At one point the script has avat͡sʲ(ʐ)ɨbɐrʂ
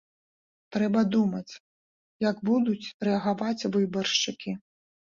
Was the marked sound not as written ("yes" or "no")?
yes